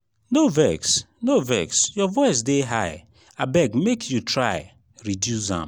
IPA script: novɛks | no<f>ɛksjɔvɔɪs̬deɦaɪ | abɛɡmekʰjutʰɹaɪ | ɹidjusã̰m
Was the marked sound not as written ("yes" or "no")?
yes